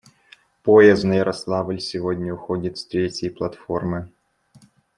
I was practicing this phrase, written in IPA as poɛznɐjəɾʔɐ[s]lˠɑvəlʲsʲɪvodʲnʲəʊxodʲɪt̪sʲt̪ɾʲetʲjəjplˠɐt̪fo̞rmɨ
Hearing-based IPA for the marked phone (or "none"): s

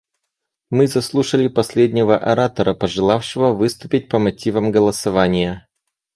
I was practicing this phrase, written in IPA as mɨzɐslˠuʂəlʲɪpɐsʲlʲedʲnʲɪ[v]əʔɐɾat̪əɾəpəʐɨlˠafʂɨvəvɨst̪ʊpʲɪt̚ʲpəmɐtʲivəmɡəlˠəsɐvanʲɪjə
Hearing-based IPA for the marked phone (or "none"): v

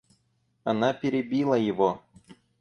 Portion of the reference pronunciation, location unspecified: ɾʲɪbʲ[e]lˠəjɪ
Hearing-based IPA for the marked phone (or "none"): i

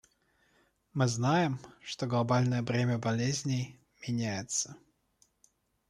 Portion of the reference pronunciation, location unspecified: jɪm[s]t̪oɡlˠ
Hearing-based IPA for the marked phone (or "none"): ʂ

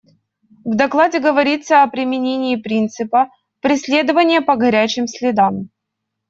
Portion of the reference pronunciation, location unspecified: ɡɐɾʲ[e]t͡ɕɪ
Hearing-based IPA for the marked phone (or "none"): æ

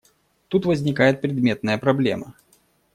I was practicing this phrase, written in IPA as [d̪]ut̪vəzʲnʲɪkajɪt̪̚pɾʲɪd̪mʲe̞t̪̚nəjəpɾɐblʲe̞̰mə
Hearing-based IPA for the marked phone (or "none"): t̪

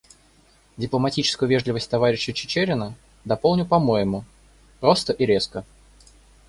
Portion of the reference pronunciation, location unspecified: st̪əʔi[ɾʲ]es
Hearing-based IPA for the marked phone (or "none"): ɾʲ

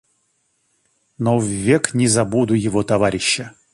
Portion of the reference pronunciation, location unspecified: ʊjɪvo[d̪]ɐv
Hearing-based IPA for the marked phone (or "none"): t̪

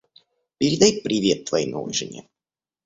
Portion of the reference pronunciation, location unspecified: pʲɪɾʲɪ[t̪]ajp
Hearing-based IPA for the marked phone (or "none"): d̪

